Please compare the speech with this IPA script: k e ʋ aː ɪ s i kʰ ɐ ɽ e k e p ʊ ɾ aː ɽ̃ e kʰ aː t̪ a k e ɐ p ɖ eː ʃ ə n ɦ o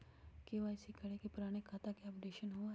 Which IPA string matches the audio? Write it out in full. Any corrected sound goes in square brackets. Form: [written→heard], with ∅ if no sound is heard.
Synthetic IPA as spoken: k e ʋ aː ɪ s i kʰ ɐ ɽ e k e p ʊ ɾ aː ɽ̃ e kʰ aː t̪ a k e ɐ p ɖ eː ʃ ə n ɦ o